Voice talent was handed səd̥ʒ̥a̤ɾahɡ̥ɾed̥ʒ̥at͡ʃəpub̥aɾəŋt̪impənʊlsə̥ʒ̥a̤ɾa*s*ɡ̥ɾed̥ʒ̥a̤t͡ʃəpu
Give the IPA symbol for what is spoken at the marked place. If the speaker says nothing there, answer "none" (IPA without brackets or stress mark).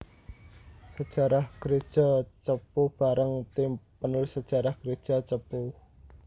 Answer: h